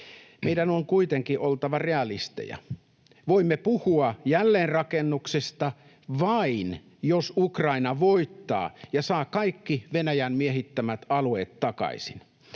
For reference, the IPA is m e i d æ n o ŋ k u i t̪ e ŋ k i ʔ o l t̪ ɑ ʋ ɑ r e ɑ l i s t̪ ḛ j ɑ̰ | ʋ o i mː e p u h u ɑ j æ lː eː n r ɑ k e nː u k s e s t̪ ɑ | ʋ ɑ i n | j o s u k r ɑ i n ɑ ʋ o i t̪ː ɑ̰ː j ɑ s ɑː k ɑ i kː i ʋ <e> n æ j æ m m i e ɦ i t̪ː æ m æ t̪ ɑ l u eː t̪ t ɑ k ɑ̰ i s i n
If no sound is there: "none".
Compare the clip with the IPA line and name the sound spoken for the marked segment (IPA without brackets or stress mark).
e